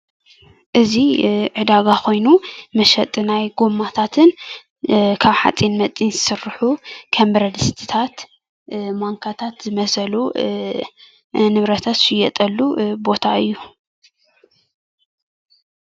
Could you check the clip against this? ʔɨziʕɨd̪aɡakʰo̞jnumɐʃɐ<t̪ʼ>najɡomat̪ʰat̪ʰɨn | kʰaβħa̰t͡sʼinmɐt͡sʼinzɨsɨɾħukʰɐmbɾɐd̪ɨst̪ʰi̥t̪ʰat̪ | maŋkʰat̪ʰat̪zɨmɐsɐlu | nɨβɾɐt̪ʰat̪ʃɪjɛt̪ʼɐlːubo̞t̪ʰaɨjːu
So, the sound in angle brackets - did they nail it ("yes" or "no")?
yes